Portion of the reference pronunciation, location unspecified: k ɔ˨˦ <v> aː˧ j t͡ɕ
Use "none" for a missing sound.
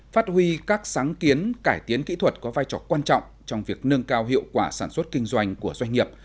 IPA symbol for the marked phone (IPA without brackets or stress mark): v